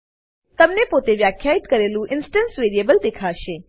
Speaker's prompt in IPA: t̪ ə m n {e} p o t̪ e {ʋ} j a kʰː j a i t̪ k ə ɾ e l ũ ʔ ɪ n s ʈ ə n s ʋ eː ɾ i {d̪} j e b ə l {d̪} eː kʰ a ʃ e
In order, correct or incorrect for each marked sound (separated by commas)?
correct, correct, incorrect, correct